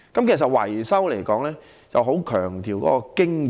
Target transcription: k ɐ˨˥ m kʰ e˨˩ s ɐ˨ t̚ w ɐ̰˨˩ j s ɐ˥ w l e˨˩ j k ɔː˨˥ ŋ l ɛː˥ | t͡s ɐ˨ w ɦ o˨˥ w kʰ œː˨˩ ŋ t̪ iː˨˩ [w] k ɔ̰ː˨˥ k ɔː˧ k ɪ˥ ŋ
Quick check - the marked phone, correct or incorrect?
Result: correct